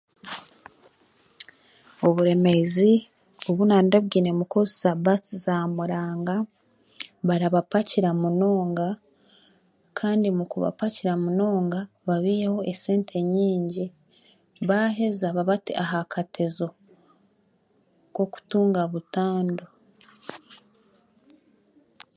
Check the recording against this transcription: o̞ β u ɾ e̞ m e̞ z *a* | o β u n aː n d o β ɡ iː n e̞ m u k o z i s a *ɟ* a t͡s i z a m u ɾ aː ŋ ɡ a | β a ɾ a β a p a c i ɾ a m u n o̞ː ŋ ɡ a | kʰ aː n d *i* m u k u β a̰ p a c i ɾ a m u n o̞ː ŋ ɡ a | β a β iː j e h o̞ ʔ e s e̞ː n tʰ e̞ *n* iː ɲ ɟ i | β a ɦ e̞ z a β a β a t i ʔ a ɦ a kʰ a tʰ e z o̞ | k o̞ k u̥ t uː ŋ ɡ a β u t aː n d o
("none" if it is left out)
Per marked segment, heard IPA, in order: i, b, i, ɲ

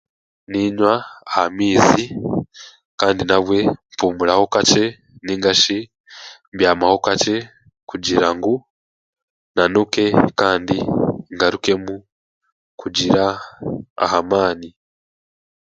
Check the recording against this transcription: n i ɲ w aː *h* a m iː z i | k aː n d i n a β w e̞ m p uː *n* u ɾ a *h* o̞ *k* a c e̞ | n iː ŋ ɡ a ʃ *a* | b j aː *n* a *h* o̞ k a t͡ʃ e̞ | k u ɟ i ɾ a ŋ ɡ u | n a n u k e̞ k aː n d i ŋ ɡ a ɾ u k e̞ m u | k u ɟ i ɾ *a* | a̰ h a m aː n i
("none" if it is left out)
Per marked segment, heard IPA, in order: h, m, h, k, i, m, h, a

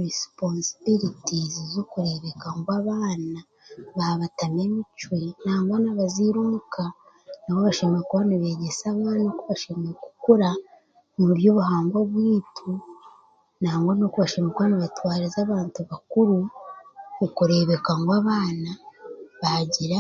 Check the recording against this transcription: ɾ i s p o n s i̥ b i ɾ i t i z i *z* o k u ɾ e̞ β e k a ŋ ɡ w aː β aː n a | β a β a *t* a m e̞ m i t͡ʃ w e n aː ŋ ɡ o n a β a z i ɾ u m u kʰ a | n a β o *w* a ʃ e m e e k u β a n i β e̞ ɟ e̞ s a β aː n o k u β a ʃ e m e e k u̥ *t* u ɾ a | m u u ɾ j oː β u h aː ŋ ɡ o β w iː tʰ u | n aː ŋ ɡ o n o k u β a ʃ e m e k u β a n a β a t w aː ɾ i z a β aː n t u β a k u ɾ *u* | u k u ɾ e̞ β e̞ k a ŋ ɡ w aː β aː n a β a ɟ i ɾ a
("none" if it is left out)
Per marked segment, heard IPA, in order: z, t, β, k, u

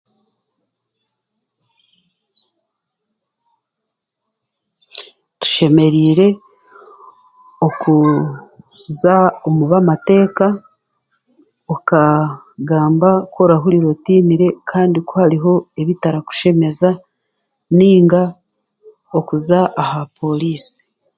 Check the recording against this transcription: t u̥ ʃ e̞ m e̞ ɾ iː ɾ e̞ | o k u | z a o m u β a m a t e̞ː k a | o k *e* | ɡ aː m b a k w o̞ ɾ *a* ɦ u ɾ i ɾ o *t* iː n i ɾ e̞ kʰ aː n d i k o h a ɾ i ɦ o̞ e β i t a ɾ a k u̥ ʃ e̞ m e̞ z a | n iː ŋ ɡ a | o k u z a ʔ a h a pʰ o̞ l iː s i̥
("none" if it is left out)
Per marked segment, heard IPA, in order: a, a, t

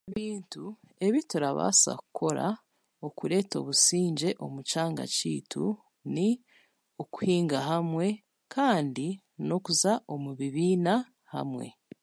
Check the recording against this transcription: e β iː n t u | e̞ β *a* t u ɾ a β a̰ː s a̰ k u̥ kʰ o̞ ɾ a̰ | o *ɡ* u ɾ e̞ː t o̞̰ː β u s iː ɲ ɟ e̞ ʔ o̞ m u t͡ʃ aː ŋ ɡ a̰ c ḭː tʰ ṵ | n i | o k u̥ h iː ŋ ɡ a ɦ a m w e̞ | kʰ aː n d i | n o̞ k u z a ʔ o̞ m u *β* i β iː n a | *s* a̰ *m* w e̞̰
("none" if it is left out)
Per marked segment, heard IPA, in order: i, k, β, h, m

